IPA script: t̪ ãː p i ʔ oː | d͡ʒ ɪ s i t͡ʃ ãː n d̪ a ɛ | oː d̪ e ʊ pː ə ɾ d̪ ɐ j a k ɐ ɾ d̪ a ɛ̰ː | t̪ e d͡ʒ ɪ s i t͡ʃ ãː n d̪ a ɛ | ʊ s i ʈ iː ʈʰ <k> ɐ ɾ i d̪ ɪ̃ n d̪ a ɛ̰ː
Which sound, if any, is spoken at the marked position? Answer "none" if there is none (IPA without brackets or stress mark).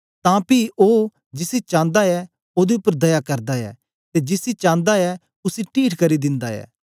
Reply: k